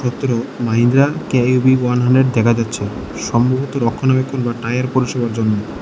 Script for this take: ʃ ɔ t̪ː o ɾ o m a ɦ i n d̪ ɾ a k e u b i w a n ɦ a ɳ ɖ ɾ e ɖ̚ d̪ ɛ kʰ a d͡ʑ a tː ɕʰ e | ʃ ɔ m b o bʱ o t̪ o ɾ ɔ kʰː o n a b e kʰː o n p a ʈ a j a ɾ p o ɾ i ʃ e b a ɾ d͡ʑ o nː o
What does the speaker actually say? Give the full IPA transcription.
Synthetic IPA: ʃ ɔ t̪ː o ɾ o m a ɦ i n d̪ ɾ a k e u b i w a n ɦ a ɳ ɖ ɾ e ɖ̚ d̪ ɛ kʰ a d͡ʑ a tː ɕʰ e | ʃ ɔ m b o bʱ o t̪ o ɾ ɔ kʰː o n a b e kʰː o n b a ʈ a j a ɾ p o ɾ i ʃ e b a ɾ d͡ʑ o nː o